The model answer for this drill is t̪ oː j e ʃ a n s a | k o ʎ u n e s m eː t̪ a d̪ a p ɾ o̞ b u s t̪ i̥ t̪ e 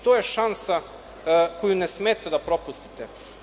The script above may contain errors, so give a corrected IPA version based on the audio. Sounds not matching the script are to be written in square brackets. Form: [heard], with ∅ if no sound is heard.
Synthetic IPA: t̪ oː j e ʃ a n s a | k o [j] u n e s m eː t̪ a d̪ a p ɾ o̞ [p] u s t̪ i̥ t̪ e